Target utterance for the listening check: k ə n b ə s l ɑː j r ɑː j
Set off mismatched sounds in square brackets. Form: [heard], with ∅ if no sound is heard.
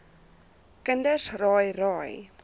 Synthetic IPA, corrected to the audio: k ə n [d] ə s [r] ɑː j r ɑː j